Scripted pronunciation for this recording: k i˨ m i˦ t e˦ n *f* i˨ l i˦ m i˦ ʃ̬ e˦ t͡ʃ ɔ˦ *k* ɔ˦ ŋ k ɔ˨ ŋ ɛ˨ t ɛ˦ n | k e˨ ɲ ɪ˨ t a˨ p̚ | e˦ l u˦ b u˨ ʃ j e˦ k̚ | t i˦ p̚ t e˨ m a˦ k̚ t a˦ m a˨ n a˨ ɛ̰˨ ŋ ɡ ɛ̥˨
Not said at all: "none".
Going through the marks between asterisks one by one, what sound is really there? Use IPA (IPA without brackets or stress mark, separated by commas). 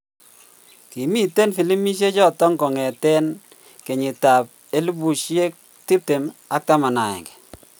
f, t